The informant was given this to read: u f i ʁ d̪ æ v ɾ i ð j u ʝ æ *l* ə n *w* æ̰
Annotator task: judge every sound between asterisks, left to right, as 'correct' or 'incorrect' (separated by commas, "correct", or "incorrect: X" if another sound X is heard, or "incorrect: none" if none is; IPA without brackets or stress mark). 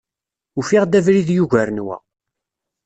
incorrect: ɾ, correct